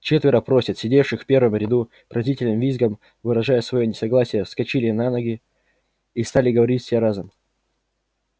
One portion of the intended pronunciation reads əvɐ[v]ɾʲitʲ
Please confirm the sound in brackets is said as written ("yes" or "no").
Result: no